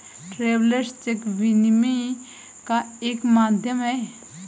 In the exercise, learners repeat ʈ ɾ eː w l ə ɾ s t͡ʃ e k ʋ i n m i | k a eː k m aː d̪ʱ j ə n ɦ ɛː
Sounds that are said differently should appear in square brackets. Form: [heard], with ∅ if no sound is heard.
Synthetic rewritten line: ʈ ɾ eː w l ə ɾ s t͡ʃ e k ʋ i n m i | k a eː k m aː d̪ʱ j ə [m] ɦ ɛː

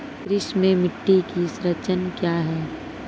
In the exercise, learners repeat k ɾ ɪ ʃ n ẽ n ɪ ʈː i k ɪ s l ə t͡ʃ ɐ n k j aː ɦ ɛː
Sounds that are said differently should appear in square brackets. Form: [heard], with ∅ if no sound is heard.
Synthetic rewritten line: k ɾ ɪ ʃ [m] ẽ [m] ɪ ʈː i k [i] s [ɾ] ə t͡ʃ [ə] n k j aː ɦ ɛː

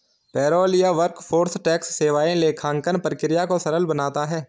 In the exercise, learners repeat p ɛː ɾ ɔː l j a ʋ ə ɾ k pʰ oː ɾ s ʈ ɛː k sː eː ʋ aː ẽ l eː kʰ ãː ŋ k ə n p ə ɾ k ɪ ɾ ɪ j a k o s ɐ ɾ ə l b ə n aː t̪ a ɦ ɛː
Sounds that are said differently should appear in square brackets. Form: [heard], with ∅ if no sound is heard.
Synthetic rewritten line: p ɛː ɾ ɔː l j a ʋ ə ɾ k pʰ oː ɾ s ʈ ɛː k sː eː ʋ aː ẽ l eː kʰ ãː ŋ k ə n p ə ɾ k ɪ ɾ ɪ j a k o s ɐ ɾ ə l b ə n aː t̪ a ɦ ɛː

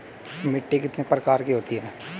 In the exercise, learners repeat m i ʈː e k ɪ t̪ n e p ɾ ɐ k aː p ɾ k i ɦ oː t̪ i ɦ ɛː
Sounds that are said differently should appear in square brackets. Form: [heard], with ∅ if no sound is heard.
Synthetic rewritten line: m [ɪ] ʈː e k ɪ t̪ n e p ɾ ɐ k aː [∅] ɾ k i ɦ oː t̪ i ɦ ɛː

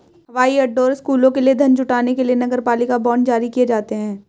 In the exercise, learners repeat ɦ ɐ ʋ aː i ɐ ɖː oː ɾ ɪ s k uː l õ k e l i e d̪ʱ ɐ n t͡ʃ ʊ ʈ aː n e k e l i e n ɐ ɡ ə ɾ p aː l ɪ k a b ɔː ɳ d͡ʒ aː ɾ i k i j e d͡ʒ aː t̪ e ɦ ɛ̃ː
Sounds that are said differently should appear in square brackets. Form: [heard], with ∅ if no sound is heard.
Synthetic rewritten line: ɦ ɐ ʋ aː i ɐ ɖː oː ɾ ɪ s k uː l õ k e l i e d̪ʱ ɐ n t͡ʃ ʊ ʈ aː n e k e l i e n ɐ ɡ ə ɾ p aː l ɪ k a b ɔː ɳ d͡ʒ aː ɾ i k i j e d͡ʒ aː t̪ e ɦ ɛ̃ː

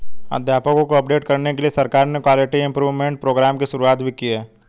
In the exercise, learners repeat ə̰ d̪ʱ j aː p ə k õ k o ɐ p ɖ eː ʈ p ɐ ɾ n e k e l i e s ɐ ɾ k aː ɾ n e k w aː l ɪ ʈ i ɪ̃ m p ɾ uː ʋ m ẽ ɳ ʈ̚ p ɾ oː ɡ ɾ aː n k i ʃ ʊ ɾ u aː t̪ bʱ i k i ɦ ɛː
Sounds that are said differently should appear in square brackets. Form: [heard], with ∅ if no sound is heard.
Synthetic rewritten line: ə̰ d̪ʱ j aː p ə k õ k o ɐ p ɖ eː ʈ [k] ɐ ɾ n e k e l i e s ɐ ɾ k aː ɾ n e k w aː l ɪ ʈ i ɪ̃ m p ɾ uː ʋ m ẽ ɳ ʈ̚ p ɾ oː ɡ ɾ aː [m] k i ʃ ʊ ɾ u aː t̪ bʱ i k i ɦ ɛː

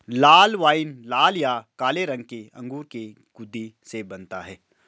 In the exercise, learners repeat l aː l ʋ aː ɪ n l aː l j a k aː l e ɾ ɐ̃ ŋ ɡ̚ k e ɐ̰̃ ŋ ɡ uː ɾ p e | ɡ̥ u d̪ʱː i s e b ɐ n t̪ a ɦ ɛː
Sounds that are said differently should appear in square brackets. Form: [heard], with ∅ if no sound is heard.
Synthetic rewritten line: l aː l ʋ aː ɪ n l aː l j a k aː l e ɾ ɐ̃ ŋ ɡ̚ k e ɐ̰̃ ŋ ɡ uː ɾ [k] e | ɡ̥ [ʊ] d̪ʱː i s e b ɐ n t̪ a ɦ ɛː

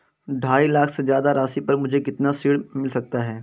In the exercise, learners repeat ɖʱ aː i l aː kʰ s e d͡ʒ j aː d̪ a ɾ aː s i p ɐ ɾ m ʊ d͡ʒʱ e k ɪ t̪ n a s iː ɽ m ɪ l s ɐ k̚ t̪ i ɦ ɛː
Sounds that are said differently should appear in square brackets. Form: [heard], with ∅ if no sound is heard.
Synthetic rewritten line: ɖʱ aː i l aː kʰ s e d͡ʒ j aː d̪ a ɾ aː s i p ɐ ɾ m ʊ d͡ʒʱ e k ɪ t̪ n a s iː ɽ m ɪ l s ɐ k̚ t̪ [a] ɦ ɛː

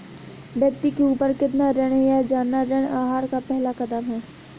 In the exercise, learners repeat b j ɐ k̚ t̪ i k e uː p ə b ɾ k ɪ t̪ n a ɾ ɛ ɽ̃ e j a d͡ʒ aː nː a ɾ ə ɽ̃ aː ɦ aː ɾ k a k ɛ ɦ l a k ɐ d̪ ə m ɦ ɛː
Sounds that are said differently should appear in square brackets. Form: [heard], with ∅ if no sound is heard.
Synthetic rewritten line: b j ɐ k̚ t̪ i k e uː p ə [∅] ɾ k ɪ t̪ n a ɾ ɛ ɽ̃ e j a d͡ʒ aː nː a ɾ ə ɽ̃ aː ɦ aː ɾ k a [p] ɛ ɦ l a k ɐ d̪ ə m ɦ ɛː

